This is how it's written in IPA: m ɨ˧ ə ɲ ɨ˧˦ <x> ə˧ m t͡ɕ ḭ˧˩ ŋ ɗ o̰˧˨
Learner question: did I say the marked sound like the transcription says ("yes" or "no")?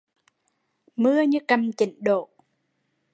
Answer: no